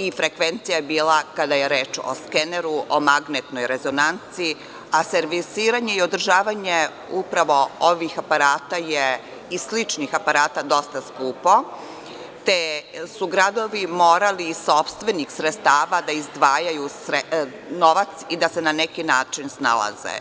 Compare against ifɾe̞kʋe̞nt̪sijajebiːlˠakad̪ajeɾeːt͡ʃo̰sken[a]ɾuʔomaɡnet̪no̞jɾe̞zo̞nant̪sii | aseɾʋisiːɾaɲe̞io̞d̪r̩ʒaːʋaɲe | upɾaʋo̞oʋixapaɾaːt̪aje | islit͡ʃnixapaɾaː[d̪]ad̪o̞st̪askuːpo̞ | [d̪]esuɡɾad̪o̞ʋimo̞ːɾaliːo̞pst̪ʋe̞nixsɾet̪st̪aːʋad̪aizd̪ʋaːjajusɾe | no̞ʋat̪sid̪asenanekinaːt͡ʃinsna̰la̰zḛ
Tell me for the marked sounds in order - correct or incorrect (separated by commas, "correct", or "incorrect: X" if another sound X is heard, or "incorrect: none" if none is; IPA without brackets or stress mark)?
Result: incorrect: e, incorrect: t̪, incorrect: t̪